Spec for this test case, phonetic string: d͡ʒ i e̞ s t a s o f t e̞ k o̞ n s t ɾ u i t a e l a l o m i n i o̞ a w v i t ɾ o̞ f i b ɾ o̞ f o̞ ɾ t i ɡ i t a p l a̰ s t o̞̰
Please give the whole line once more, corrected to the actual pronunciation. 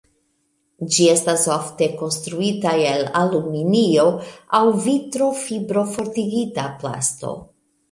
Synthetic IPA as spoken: d͡ʒ i e̞ s t a s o f t e̞ k o̞ n s t ɾ u i t a e l a l u m i n i o̞ a w v i t ɾ o̞ f i b ɾ o̞ f o̞ ɾ t i ɡ i t a p l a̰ s t o̞̰

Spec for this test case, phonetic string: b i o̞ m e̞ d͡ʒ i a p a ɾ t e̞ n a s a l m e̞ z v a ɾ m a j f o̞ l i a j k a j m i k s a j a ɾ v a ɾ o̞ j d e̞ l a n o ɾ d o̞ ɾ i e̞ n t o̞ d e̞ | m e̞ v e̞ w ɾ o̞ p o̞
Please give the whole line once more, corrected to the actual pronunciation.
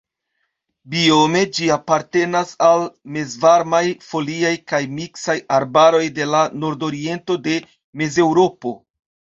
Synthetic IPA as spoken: b i o̞ m e̞ d͡ʒ i a p a ɾ t e̞ n a s a l m e̞ z v a ɾ m a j f o̞ l i a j k a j m i k s a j a ɾ b a ɾ o̞ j d e̞ l a n o ɾ d o̞ ɾ i e̞ n t o̞ d e̞ | m e̞ z e̞ w ɾ o̞ p o̞

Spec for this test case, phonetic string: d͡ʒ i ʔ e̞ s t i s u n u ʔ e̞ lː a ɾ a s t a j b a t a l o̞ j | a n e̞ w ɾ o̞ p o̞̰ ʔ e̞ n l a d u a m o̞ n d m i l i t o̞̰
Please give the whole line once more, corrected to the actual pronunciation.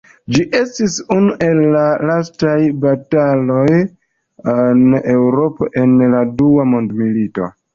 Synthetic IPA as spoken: d͡ʒ i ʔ e̞ s t i s u n u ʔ e̞ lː a l a s t a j b a t a l o̞ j | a n e̞ w ɾ o̞ p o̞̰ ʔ e̞ n l a d u a m o̞ n d m i l i t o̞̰

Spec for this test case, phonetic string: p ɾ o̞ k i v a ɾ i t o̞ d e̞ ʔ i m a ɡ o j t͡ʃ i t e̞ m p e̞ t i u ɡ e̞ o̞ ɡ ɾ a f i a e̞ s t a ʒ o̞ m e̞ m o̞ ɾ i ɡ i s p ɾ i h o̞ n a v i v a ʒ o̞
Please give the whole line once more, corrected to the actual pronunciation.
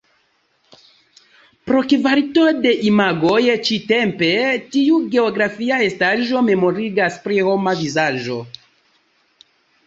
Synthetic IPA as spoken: p ɾ o̞ k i v a ɾ i t o̞ d e̞ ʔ i m a ɡ o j t͡ʃ i t e̞ m p e̞ t i u ɡ e̞ o̞ ɡ ɾ a f i a e̞ s t a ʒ o̞ m e̞ m o̞ ɾ i ɡ a s p ɾ i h o̞ m a v i z a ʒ o̞

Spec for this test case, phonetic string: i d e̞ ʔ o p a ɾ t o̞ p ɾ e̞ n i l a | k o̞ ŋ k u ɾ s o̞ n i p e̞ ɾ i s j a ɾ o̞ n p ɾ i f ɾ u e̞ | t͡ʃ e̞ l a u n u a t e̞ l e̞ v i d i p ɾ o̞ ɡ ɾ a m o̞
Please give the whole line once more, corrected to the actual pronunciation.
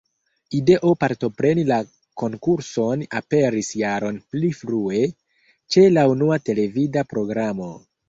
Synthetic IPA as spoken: i d e̞ ʔ o p a ɾ t o̞ p ɾ e̞ n i l a | k o̞ ŋ k u ɾ s o̞ n a p e̞ ɾ i s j a ɾ o̞ n p l i f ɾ u e̞ | t͡ʃ e̞ l a u n u a t e̞ l e̞ v i d a p ɾ o̞ ɡ ɾ a m o̞

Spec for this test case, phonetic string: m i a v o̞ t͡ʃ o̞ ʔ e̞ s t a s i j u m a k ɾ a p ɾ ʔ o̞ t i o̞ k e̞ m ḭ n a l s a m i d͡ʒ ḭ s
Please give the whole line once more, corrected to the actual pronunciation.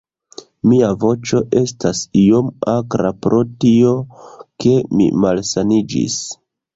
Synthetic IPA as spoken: m i a v o̞ t͡ʃ o̞ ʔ e̞ s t a s i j o m a k ɾ a p ɾ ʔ o̞ t i o̞ k e̞ m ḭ m a l s a n i d͡ʒ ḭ s

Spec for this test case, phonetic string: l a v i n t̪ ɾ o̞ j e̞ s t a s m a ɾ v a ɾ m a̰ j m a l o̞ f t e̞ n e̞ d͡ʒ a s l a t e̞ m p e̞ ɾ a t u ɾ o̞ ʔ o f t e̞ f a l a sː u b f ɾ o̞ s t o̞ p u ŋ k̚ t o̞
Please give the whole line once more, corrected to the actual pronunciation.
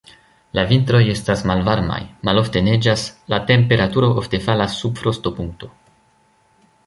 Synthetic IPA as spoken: l a v i n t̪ ɾ o̞ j e̞ s t a s m a l v a ɾ m a̰ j m a l o̞ f t e̞ n e̞ d͡ʒ a s l a t e̞ m p e̞ ɾ a t u ɾ o̞ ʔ o f t e̞ f a l a sː u b f ɾ o̞ s t o̞ p u ŋ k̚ t o̞

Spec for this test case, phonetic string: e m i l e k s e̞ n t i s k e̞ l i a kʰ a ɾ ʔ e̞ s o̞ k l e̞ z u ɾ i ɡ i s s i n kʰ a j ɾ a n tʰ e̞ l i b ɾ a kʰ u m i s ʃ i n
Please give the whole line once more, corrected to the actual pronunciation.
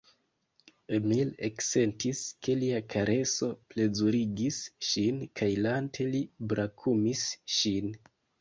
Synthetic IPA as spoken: e m i l e k s e̞ n t i s k e̞ l i a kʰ a ɾ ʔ e̞ s o̞ p l e̞ z u ɾ i ɡ i s ʃ i n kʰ a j l a n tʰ e̞ l i b ɾ a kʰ u m i s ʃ i n

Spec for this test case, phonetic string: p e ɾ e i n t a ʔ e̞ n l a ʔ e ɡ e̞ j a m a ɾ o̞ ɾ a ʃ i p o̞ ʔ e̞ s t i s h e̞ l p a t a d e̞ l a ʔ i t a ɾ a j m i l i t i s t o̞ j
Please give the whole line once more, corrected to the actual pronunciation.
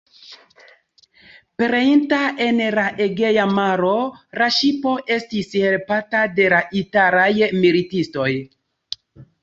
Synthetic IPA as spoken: p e ɾ e i n t a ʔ e̞ n l a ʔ e ɡ e̞ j a m a ɾ o̞ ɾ a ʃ i p o̞ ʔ e̞ s t i s h e̞ l p a t a d e̞ l a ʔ i t a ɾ a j m i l i t i s t o̞ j

